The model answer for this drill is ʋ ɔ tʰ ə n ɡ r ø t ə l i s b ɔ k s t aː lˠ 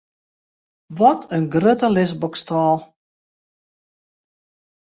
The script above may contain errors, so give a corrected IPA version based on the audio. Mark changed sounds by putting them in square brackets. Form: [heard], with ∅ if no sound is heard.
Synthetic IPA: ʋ ɔ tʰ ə n ɡ r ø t ə l [ɪ] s b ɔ k s t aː lˠ